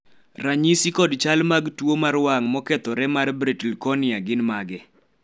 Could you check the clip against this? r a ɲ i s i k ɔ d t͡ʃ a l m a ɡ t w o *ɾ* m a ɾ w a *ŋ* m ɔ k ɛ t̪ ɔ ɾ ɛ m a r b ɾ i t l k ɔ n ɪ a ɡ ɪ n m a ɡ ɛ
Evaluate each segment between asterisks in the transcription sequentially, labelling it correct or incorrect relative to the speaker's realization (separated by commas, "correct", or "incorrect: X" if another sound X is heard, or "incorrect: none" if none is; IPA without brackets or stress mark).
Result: incorrect: none, correct